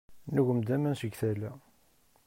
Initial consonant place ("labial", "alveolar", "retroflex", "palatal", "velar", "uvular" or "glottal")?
alveolar